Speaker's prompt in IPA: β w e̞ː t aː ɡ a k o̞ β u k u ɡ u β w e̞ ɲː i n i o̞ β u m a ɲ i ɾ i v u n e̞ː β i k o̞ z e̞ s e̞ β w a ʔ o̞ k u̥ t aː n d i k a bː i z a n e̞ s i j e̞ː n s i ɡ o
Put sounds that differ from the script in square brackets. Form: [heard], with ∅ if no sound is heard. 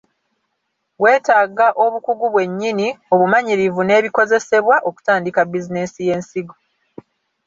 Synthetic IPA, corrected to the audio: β w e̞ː t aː ɡ a [ʔ] o̞ β u k u ɡ u β w e̞ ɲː i n i o̞ β u m a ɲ i ɾ i v u n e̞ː β i k o̞ z e̞ s e̞ β w a ʔ o̞ k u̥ t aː n d i k a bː i z [i] n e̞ s i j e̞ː n s i ɡ o